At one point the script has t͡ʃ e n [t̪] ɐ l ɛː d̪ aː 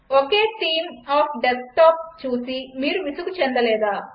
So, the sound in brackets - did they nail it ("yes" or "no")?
no